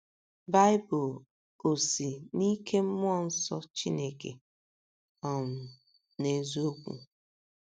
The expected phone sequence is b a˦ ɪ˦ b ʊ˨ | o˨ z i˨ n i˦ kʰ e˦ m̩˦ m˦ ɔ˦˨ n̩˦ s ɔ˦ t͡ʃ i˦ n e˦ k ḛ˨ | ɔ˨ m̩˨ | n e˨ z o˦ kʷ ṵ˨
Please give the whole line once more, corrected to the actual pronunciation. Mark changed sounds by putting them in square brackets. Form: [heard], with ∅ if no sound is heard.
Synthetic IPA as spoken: b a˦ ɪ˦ b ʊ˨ | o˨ [s] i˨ n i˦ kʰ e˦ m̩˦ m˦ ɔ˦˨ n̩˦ s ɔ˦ t͡ʃ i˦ n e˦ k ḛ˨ | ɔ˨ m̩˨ | n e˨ z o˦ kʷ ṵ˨